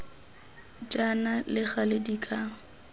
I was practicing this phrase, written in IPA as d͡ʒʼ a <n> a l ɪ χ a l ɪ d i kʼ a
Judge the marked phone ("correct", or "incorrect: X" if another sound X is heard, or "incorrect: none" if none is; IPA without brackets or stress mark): correct